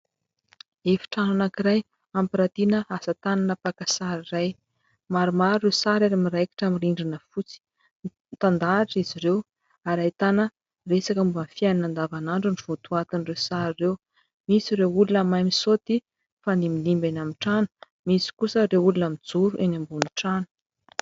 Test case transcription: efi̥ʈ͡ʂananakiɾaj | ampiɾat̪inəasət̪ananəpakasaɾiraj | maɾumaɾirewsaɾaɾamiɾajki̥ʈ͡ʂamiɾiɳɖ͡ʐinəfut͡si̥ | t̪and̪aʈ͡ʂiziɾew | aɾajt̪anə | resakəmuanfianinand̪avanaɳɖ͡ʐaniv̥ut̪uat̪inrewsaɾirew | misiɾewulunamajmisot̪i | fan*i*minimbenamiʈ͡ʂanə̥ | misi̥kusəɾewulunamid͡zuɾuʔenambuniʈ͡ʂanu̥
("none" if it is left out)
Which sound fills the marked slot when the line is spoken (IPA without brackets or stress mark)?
i